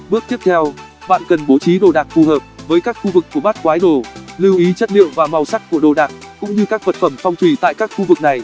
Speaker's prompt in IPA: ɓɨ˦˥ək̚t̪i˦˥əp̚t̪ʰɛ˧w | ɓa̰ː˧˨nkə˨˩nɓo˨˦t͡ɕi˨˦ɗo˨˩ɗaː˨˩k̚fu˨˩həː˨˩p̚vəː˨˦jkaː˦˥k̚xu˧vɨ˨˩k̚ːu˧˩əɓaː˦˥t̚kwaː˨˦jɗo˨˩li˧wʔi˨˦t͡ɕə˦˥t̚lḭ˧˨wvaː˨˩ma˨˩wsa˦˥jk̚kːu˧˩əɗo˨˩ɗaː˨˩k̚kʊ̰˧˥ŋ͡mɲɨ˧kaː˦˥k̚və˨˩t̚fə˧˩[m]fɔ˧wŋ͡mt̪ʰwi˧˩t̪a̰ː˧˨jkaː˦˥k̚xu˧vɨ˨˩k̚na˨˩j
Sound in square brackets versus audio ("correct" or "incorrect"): correct